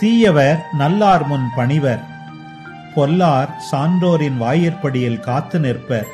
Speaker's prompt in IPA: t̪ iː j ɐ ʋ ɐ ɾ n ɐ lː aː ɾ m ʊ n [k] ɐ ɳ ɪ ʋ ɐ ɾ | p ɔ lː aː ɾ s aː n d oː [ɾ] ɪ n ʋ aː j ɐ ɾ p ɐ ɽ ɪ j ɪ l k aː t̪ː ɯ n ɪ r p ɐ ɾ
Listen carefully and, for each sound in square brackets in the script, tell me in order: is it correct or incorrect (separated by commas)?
incorrect, correct